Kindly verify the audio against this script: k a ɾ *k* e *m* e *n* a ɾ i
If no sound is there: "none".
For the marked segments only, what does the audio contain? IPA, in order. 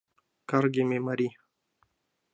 ɡ, m, m

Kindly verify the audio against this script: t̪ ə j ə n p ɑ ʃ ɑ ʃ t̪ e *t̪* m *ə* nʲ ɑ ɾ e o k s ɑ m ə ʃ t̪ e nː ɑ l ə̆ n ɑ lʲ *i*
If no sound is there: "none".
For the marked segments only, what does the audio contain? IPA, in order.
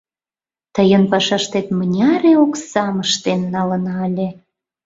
t̪, ə, e

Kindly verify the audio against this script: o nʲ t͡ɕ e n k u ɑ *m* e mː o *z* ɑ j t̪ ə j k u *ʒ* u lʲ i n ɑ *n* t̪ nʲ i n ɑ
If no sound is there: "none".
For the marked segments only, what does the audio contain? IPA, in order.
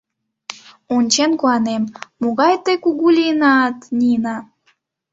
n, ɣ, ɣ, none

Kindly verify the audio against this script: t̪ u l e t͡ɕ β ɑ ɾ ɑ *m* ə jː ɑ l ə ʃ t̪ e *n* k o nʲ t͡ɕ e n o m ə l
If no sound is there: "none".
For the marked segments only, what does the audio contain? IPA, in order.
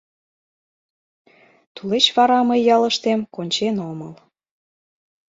m, m

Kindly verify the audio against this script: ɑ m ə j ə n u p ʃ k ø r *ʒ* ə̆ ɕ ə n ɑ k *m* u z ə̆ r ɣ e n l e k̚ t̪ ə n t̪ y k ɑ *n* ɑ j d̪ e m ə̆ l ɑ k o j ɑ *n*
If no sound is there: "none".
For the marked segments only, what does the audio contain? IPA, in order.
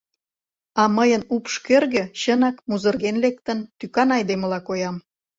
ɣ, m, n, m

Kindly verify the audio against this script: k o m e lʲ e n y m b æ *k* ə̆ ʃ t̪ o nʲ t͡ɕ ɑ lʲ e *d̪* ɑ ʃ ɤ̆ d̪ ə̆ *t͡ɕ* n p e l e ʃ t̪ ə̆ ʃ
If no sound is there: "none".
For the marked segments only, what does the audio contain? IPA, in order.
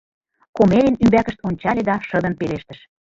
k, d̪, none

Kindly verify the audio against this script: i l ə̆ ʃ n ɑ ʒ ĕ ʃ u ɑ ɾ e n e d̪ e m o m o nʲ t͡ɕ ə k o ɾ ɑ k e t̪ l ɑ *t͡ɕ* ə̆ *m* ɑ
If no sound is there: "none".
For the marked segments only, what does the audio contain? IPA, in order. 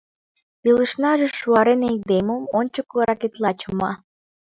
t͡ɕ, m

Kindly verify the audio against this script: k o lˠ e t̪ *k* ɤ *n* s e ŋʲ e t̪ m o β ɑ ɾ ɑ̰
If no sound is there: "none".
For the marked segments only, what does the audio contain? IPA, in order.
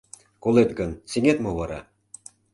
ɡ, n

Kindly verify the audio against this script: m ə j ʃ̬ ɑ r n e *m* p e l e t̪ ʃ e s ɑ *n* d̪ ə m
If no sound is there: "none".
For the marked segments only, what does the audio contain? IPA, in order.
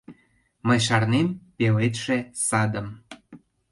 m, none

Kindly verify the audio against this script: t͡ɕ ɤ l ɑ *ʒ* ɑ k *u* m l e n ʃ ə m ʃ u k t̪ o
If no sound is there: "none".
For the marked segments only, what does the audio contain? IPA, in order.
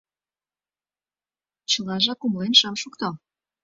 ʒ, u

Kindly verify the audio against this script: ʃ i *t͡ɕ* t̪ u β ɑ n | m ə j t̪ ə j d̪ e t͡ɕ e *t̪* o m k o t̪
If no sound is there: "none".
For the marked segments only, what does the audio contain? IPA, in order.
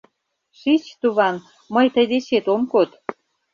t͡ɕ, t̪

